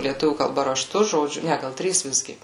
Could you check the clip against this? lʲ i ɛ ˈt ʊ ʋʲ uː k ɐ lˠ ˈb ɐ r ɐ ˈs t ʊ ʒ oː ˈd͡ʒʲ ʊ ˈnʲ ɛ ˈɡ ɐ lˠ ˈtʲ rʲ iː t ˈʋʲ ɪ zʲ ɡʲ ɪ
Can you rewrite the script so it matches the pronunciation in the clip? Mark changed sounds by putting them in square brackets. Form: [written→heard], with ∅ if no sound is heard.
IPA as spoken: lʲ i ɛ ˈt ʊ ʋʲ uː k ɐ lˠ ˈb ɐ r ɐ [ˈs→ˈʃ] t ʊ ʒ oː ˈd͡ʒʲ ʊ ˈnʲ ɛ ˈɡ ɐ lˠ ˈtʲ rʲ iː [t→s] ˈʋʲ ɪ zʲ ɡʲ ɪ